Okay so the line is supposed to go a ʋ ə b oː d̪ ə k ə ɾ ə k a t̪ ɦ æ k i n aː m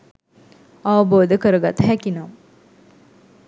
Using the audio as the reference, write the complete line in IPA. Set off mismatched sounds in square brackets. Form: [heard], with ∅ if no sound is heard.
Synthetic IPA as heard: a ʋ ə b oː d̪ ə k ə ɾ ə [ɡ] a t̪ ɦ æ k i n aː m